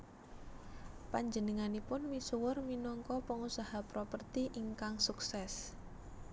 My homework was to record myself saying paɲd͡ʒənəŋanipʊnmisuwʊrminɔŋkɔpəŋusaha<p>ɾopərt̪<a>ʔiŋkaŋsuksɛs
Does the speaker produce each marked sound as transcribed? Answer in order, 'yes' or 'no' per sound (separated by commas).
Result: yes, no